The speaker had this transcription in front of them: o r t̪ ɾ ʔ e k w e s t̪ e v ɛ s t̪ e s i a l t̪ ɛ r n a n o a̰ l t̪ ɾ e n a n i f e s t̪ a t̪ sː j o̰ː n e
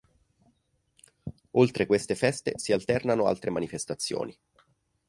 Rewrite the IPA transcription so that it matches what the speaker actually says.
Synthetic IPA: o l t̪ ɾ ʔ e k w e s t̪ e f ɛ s t̪ e s i a l t̪ ɛ r n a n o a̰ l t̪ ɾ e m a n i f e s t̪ a t̪ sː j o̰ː n i

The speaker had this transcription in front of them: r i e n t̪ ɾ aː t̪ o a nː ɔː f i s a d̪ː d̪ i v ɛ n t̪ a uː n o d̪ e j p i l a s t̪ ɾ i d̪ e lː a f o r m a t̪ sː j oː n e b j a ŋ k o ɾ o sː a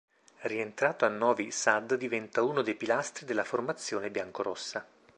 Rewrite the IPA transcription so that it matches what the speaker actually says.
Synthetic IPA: r i e n t̪ ɾ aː t̪ o a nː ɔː v i s a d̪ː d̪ i v ɛ n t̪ a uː n o d̪ e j p i l a s t̪ ɾ i d̪ e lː a f o r m a t̪ sː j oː n e b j a ŋ k o ɾ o sː a

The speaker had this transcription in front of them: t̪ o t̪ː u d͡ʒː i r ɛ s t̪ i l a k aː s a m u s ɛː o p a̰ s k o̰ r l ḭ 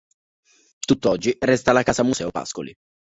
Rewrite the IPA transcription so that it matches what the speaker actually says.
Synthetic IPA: t̪ u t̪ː ɔ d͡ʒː i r ɛ s t̪ a l a k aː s a m u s ɛː o p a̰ s k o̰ l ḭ

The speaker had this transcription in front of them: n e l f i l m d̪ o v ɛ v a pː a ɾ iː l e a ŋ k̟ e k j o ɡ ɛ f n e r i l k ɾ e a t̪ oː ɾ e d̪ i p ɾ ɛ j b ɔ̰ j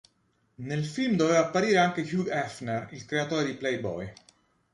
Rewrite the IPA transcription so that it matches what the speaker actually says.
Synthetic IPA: n e l f i l m d̪ o v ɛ v a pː a ɾ iː ɾ e a ŋ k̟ e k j u ɡ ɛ f n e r i l k ɾ e a t̪ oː ɾ e d̪ i p l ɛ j b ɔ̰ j

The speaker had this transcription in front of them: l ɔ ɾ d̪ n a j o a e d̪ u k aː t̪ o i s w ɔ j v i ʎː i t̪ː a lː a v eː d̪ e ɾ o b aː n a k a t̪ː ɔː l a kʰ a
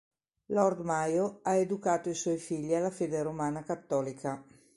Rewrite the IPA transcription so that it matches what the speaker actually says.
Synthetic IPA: l ɔ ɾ d̪ m a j o a e d̪ u k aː t̪ o i s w ɔ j f i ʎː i a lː a f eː d̪ e ɾ o m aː n a k a t̪ː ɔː l i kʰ a

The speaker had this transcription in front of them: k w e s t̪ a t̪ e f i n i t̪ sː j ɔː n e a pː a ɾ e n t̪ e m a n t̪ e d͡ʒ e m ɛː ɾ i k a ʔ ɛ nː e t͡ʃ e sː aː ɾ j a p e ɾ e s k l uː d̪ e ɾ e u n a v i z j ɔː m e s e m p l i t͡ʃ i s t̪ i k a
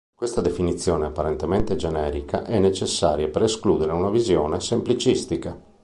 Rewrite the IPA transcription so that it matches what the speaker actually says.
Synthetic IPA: k w e s t̪ a d̪ e f i n i t̪ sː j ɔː n e a pː a ɾ e n t̪ e m e n t̪ e d͡ʒ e n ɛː ɾ i k a ʔ ɛ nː e t͡ʃ e sː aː ɾ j a p e ɾ e s k l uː d̪ e ɾ e u n a v i z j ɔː n e s e m p l i t͡ʃ i s t̪ i k a

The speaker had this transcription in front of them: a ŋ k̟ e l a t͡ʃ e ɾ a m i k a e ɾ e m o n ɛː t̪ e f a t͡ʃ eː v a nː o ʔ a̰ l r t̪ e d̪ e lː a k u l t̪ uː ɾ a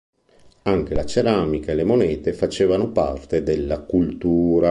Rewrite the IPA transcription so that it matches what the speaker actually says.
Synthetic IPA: a ŋ k̟ e l a t͡ʃ e ɾ a m i k a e l e m o n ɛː t̪ e f a t͡ʃ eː v a n o p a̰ r t̪ e d̪ e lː a k u l t̪ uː ɾ a

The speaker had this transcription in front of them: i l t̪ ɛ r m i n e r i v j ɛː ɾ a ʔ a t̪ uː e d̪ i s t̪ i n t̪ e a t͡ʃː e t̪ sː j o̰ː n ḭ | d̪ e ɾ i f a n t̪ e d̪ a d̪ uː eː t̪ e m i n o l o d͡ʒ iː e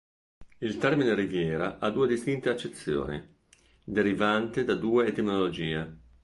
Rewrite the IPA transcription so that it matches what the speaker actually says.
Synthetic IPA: i l t̪ ɛ r m i n e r i v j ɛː ɾ a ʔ a d̪ uː e d̪ i s t̪ i n t̪ e a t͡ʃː e t̪ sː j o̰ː n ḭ | d̪ e ɾ i v a n t̪ e d̪ a d̪ uː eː t̪ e m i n o l o d͡ʒ iː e

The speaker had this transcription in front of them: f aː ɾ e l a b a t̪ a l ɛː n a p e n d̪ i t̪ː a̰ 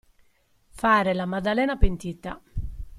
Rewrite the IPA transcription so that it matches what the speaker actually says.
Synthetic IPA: f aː ɾ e l a m a d̪ a l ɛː n a p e n t̪ i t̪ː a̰

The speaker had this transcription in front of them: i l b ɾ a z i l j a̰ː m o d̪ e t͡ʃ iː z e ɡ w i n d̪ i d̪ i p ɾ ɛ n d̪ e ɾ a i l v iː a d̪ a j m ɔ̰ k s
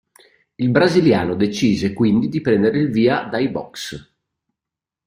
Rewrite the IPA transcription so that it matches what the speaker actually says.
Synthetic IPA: i l b ɾ a z i l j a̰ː n o d̪ e t͡ʃ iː z e k w i n d̪ i d̪ i p ɾ ɛ n d̪ e ɾ e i l v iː a d̪ a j b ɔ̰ k s

